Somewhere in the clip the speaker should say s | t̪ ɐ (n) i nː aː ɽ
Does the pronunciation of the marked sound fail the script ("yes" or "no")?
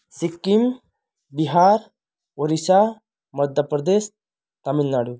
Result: yes